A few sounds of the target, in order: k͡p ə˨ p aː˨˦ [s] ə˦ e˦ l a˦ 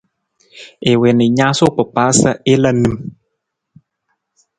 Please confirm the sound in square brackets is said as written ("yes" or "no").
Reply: yes